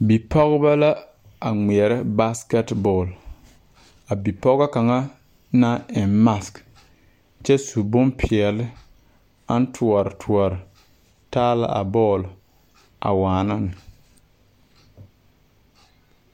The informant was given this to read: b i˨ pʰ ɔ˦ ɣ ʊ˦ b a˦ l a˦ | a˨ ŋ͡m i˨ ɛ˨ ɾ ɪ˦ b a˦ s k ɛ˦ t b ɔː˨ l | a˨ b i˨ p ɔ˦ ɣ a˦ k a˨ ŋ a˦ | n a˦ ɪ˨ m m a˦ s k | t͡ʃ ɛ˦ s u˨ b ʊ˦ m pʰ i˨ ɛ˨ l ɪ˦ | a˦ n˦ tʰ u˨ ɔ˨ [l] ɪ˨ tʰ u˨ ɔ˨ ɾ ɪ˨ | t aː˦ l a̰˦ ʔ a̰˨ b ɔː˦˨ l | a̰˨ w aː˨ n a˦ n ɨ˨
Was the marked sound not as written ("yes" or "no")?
yes